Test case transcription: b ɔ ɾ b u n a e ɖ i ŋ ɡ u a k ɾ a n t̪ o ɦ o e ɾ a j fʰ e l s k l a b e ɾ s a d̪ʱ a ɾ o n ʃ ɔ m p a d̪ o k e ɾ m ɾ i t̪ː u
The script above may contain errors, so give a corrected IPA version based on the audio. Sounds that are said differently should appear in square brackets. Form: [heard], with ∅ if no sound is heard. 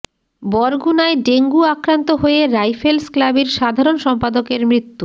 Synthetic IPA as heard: b ɔ ɾ [ɡ] u n a e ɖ [e] ŋ ɡ u a k ɾ a n t̪ o ɦ o e ɾ a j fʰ e l s k l a b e ɾ [ʃ] a d̪ʱ a ɾ o n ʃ ɔ m p a d̪ o k e ɾ m ɾ i t̪ː u